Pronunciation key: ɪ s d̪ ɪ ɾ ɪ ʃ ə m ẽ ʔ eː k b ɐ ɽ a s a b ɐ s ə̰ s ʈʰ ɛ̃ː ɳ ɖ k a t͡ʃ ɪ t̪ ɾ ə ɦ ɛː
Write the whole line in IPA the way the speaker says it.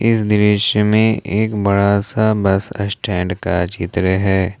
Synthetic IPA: ɪ s d̪ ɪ ɾ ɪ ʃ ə m ẽ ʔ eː k b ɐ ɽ a s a b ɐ s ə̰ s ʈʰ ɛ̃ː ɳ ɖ k a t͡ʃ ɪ t̪ ɾ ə ɦ ɛː